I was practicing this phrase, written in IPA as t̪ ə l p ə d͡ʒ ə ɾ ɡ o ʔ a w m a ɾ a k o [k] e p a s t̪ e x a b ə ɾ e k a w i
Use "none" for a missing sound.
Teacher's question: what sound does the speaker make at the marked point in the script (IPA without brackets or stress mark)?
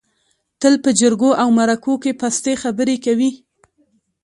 k